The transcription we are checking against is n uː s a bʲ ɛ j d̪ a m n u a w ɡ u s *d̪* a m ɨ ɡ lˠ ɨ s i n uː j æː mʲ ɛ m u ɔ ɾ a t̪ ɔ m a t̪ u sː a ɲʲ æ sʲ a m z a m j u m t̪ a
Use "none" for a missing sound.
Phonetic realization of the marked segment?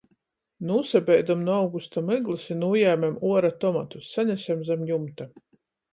t̪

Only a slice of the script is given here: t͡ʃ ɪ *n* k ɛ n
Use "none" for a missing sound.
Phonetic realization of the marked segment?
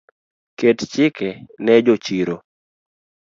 none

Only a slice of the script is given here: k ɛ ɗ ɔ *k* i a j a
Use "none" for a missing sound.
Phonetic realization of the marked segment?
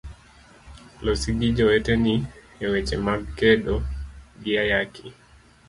ɡ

